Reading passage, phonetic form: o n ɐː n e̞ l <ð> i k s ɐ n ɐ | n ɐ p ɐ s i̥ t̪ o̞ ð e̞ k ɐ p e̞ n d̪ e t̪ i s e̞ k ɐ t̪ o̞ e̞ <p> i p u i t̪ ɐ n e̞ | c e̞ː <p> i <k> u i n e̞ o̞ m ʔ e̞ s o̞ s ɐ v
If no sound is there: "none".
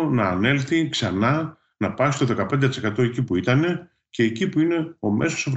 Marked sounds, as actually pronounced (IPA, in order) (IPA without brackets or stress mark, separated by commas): θ, c, c, p